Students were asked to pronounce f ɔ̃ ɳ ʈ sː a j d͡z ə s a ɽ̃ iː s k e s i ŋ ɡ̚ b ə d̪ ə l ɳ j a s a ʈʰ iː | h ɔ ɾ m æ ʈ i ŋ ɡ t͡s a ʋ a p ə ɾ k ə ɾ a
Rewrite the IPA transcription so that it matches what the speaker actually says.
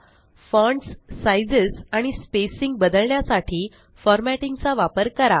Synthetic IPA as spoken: f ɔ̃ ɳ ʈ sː a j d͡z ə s a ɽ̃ i s p e s i ŋ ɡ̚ b ə d̪ ə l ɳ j a s a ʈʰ iː | f ɔ ɾ m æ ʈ i ŋ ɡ t͡s a ʋ a p ə ɾ k ə ɾ a